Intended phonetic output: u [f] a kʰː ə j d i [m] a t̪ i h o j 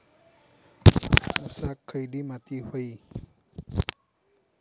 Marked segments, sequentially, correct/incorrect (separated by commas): incorrect, correct